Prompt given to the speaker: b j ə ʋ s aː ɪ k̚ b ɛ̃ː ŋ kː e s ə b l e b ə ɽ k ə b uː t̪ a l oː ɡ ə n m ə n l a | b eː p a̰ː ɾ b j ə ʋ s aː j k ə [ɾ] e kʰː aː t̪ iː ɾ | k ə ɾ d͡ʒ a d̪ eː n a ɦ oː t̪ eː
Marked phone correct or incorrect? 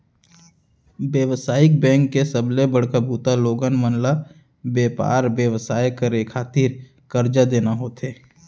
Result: correct